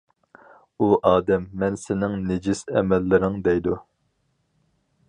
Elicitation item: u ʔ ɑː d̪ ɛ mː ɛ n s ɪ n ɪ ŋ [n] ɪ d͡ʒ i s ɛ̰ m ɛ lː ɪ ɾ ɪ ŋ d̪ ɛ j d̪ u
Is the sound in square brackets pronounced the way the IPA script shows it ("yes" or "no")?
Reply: yes